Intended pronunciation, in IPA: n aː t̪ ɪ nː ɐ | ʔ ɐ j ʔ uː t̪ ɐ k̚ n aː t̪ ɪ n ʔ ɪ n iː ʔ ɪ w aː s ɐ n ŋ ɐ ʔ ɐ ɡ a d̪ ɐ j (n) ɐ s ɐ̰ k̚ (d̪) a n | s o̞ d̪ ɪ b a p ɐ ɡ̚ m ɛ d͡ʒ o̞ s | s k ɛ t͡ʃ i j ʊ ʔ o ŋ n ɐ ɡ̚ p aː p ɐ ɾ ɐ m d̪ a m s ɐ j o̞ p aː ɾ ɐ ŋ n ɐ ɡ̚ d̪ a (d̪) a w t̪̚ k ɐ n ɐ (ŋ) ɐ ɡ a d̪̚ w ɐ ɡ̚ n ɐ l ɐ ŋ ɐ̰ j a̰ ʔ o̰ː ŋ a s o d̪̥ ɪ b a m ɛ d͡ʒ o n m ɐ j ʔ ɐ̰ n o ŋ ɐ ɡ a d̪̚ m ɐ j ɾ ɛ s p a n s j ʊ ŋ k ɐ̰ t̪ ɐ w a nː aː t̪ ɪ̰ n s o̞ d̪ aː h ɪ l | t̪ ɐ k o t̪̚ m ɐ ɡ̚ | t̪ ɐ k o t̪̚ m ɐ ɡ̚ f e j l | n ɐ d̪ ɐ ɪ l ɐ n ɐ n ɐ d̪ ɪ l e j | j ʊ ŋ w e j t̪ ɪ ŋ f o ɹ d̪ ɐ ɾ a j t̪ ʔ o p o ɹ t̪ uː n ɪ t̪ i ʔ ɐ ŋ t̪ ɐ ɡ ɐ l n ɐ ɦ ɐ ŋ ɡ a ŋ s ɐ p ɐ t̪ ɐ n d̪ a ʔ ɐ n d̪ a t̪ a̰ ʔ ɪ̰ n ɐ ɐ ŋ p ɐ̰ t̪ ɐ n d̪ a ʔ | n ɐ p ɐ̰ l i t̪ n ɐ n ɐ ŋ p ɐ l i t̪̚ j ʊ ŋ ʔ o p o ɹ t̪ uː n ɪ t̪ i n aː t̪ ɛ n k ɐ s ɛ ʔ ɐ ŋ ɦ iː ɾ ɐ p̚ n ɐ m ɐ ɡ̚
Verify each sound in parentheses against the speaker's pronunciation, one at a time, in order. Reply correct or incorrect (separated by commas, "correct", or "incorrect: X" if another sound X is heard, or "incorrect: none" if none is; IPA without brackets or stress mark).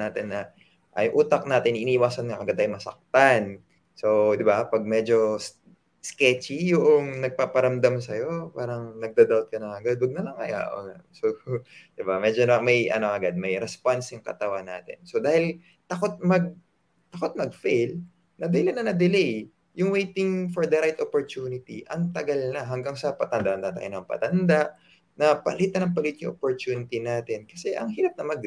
incorrect: m, incorrect: t̪, correct, correct